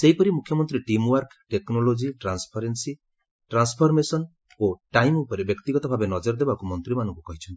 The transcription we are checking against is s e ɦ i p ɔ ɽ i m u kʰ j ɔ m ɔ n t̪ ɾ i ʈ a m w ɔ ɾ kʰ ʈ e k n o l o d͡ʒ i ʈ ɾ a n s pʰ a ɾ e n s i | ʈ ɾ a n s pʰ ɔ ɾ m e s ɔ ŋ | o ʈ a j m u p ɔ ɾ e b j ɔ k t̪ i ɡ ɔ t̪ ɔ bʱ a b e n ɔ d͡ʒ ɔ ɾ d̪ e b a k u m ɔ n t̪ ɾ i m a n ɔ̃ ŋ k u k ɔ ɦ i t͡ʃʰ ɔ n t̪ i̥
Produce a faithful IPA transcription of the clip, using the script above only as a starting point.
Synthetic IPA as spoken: s e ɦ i p ɔ ɾ i m u kʰ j ɔ m ɔ n t̪ ɾ i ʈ i m w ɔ ɾ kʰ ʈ e k n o l o d͡ʒ i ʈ ɾ a n s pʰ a ɾ e n s i | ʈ ɾ a n s pʰ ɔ ɾ m e s ɔ n | o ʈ a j m u p ɔ ɾ e b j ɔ k t̪ i ɡ ɔ t̪ ɔ bʱ a b e n ɔ d͡ʒ ɔ ɾ d̪ e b a k u m ɔ n t̪ ɾ i m a n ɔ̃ ŋ k u k ɔ ɦ i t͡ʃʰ ɔ n t̪ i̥